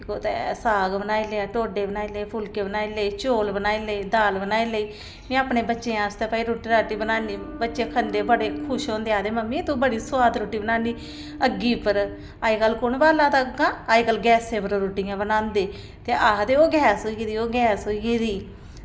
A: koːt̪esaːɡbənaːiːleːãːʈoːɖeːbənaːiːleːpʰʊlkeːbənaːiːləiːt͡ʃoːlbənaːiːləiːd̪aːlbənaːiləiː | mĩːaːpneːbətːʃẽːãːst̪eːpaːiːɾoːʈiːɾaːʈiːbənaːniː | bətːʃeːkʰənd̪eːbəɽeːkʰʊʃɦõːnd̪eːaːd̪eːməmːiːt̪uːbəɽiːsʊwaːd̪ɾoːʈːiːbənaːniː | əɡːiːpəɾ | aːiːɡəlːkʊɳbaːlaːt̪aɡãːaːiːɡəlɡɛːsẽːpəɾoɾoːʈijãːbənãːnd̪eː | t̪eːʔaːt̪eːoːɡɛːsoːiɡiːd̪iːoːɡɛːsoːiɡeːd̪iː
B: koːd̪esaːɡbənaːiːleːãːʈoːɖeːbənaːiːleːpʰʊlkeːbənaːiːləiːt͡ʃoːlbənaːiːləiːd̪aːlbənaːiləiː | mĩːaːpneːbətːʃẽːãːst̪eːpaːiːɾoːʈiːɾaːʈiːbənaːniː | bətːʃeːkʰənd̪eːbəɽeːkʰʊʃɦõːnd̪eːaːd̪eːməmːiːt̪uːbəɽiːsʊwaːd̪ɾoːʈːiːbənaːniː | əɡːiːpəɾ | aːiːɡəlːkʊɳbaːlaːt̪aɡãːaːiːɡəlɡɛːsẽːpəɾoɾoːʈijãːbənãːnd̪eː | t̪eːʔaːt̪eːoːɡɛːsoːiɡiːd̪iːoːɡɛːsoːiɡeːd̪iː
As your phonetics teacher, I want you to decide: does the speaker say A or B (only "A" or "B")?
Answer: A